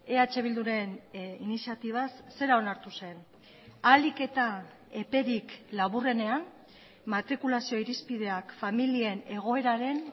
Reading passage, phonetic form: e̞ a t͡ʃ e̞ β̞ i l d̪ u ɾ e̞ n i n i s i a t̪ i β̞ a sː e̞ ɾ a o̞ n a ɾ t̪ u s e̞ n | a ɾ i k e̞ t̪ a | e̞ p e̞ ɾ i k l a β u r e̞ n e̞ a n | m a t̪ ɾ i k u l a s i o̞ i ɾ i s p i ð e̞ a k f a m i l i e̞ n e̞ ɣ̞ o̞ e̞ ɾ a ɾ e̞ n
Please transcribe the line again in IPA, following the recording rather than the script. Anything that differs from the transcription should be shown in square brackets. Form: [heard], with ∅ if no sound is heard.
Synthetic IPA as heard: e̞ a t͡ʃ e̞ β̞ i l d̪ u ɾ e̞ n i n i s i a t̪ i β̞ a sː e̞ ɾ a o̞ n a ɾ t̪ u s e̞ n | a [l] i k e̞ t̪ a | e̞ p e̞ ɾ i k l a β u r e̞ n e̞ a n | m a t̪ ɾ i k u l a s i o̞ i ɾ i s p i ð e̞ a k f a m i l i e̞ n e̞ ɣ̞ o̞ e̞ ɾ a ɾ e̞ n